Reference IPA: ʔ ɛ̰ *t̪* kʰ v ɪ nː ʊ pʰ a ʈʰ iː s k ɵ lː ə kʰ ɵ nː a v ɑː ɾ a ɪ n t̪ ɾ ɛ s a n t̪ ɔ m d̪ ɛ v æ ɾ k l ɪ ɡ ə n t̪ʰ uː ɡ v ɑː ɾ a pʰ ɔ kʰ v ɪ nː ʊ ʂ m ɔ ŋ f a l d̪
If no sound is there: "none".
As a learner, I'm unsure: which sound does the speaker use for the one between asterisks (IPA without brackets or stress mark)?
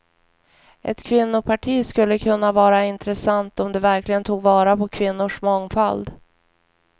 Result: t̪